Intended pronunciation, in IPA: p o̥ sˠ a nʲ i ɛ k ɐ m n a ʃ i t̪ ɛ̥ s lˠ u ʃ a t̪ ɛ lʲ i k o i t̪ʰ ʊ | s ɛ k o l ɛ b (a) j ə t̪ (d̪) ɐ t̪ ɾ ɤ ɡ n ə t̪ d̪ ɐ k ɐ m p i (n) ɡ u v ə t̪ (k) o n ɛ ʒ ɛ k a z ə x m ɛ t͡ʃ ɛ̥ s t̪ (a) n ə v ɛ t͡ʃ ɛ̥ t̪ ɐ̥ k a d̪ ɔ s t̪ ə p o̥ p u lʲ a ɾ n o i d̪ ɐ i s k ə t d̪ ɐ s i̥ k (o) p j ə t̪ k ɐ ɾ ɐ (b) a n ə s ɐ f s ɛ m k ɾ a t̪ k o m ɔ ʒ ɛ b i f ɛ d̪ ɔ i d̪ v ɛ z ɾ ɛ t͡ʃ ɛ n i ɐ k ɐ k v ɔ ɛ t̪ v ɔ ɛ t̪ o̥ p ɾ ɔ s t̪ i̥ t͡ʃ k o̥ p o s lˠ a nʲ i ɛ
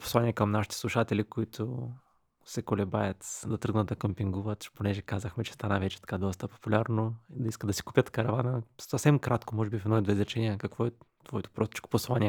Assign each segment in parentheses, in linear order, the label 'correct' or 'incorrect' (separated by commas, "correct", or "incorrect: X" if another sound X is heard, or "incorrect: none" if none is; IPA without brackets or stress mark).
correct, correct, incorrect: ŋ, incorrect: p, correct, incorrect: u, incorrect: v